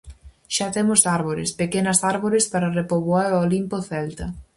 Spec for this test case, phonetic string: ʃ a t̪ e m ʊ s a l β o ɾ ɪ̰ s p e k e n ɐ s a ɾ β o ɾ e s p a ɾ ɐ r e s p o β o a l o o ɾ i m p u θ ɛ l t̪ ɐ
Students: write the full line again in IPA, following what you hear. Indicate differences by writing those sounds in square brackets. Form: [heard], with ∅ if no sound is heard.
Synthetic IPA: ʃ a t̪ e m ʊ s a [ɾ] β o ɾ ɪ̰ s p e k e n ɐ s a ɾ β o ɾ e s p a ɾ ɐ r e [∅] p o β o a [ɾ] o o [l] i m p [o] θ ɛ l t̪ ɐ